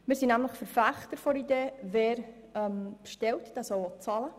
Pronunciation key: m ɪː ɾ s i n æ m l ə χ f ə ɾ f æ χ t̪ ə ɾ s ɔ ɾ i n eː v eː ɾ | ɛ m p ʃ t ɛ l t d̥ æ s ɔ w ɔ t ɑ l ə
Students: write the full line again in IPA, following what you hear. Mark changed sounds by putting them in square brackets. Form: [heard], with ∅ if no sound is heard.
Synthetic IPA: m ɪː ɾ s i n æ m l ə χ f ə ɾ f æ χ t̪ ə ɾ [f] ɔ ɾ i [d] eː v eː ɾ | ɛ m p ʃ t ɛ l t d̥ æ s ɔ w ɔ [t͡s] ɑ l ə